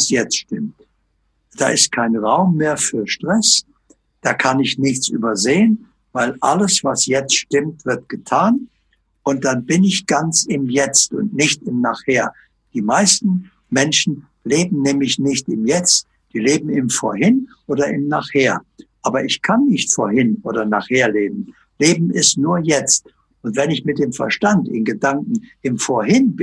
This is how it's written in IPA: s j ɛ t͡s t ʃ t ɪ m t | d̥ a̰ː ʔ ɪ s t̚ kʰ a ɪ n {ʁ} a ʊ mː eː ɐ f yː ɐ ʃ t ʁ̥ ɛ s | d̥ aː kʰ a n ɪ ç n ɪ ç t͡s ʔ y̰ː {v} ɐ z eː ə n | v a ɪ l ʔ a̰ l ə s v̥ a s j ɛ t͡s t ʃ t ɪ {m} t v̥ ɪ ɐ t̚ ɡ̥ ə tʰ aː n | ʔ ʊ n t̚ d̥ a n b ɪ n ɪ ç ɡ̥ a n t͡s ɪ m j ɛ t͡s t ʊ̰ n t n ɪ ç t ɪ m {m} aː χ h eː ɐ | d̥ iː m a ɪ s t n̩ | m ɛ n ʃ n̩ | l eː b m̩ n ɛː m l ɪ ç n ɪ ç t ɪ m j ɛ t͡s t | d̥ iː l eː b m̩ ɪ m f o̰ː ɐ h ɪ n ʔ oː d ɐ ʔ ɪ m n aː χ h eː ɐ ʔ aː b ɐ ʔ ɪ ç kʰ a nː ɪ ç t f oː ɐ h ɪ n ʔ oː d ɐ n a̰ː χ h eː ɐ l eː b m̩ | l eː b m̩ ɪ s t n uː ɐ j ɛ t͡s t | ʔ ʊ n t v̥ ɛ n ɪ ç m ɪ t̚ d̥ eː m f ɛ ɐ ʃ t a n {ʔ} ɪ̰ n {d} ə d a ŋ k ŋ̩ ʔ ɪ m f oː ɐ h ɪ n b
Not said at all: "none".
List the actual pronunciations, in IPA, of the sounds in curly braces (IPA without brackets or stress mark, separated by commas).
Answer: ʁ, b, m, n, t, ɡ